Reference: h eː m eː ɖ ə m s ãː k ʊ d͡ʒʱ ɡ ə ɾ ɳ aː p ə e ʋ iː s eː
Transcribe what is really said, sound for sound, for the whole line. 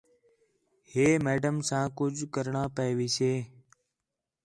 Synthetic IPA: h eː m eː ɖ ə m s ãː k ʊ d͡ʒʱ k ə ɾ ɳ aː p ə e ʋ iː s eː